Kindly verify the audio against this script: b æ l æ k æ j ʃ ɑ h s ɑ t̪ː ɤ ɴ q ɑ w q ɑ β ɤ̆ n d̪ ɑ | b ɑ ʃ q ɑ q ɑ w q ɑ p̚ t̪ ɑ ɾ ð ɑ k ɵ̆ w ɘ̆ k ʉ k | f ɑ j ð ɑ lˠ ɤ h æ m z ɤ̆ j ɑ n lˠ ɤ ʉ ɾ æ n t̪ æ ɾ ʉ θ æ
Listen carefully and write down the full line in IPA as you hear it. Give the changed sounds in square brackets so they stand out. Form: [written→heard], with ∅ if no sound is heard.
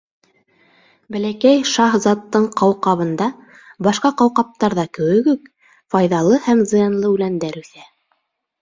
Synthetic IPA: b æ l æ k æ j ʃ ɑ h [s→z] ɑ t̪ː ɤ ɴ q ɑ w q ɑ β ɤ̆ n d̪ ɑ | b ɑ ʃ q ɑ q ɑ w q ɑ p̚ t̪ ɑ ɾ ð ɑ k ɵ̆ w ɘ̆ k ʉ k | f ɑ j ð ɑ lˠ ɤ h æ m z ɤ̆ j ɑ n lˠ ɤ ʉ [ɾ→l] æ n [t̪→d̪] æ ɾ ʉ θ æ